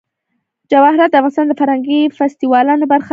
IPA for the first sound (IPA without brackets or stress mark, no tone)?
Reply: d͡ʒ